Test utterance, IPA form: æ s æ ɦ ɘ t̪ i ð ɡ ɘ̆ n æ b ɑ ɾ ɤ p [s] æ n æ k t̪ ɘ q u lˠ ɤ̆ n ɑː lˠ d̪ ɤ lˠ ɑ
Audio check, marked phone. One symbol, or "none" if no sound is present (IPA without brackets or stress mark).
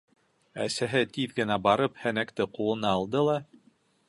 h